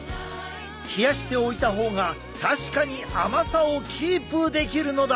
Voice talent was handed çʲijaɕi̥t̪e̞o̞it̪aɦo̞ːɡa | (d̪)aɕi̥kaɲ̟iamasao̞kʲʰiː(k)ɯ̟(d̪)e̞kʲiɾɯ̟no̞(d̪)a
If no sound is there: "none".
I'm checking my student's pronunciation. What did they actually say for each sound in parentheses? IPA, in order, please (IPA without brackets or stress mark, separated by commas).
t̪, p, d̪, d̪